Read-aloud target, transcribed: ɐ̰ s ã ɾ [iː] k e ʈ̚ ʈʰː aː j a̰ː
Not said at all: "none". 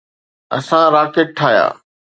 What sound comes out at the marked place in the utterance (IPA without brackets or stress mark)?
aː